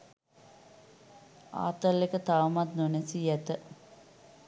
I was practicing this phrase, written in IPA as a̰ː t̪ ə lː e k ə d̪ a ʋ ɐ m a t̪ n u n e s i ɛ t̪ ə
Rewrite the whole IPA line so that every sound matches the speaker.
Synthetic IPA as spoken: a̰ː t̪ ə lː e k ə t̪ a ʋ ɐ m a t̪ n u n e s i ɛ t̪ ə